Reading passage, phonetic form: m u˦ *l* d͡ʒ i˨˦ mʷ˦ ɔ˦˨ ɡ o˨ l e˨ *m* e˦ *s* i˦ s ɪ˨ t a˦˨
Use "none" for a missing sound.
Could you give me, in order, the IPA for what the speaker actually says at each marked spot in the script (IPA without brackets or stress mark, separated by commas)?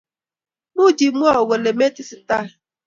none, m, t